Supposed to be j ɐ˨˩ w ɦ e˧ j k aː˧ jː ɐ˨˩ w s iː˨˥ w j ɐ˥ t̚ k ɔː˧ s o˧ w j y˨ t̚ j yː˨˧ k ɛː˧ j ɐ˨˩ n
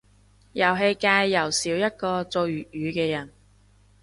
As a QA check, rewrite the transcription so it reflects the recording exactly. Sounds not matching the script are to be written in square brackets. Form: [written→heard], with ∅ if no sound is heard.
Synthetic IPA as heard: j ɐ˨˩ w ɦ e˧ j k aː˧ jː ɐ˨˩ w s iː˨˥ w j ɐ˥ t̚ k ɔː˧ [s→t͡s] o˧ w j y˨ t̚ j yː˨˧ k ɛː˧ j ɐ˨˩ n